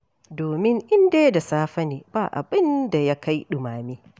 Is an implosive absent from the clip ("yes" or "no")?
no